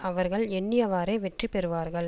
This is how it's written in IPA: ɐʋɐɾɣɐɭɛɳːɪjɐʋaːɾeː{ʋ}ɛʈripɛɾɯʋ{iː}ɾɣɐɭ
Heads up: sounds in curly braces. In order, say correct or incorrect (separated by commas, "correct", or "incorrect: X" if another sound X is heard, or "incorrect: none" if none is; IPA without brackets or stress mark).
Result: correct, incorrect: aː